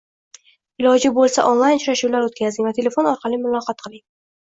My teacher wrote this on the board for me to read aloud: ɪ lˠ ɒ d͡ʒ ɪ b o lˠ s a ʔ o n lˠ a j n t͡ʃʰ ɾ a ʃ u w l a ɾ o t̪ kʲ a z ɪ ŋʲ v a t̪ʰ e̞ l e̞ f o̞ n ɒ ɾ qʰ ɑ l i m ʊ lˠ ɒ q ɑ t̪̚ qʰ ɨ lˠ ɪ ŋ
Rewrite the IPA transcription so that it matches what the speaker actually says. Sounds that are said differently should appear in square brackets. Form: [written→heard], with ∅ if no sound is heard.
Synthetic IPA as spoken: ɪ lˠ ɒ d͡ʒ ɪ b o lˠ s a ʔ o n lˠ a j n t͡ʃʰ ɾ a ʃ u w l a ɾ o t̪ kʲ a z ɪ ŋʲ v a t̪ʰ e̞ l e̞ f o̞ n ɒ ɾ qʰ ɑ l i m ʊ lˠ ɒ q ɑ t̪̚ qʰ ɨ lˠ ɪ ŋ

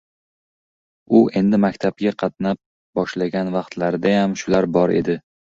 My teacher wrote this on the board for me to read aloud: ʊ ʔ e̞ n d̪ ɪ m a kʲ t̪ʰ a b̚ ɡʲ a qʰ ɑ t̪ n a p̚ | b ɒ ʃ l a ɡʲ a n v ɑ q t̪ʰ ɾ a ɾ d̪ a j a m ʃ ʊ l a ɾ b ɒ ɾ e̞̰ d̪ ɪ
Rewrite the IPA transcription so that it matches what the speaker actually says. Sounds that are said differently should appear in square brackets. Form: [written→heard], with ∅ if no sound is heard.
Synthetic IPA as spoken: ʊ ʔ e̞ n d̪ ɪ m a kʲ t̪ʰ a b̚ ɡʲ a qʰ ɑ t̪ n a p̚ | b ɒ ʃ l a ɡʲ a n v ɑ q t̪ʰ [ɾ→l] a ɾ d̪ a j a m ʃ ʊ l a ɾ b ɒ ɾ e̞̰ d̪ ɪ

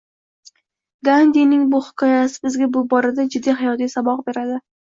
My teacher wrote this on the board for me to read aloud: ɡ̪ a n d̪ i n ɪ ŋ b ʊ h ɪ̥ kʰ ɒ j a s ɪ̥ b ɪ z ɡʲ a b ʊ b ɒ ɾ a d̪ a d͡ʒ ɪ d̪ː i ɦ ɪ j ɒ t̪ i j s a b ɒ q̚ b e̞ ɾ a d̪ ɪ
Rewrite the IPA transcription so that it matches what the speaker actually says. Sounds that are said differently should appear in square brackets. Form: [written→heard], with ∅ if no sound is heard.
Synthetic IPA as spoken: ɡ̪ a n d̪ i n ɪ ŋ b ʊ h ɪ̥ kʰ ɒ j a s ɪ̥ b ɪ z ɡʲ a b ʊ b ɒ ɾ a d̪ a d͡ʒ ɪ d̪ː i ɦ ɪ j ɒ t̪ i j s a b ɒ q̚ b e̞ ɾ a d̪ ɪ

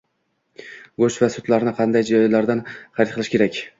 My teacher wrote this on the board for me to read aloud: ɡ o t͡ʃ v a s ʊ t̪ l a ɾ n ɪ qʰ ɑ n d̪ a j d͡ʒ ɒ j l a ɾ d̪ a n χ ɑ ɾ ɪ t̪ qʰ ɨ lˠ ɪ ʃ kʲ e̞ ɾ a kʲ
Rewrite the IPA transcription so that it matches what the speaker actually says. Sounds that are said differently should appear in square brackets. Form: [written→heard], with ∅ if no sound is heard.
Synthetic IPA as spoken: ɡ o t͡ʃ v a s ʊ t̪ l a ɾ n ɪ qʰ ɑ n d̪ a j d͡ʒ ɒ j l a ɾ d̪ a n χ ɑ ɾ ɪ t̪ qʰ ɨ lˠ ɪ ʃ kʲ e̞ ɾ a kʲ

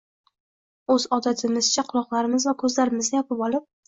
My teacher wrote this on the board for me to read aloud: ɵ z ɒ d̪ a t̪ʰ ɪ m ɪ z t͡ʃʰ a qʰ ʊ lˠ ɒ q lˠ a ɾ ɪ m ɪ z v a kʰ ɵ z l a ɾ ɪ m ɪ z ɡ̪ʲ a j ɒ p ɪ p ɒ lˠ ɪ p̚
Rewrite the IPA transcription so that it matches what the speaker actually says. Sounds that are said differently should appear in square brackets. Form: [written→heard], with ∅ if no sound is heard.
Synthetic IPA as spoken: ɵ z ɒ d̪ a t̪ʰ ɪ m ɪ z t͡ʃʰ a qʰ ʊ lˠ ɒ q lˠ a ɾ ɪ m ɪ z v a kʰ ɵ z l a ɾ ɪ m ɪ z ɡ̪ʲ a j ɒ p ɪ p ɒ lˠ ɪ p̚

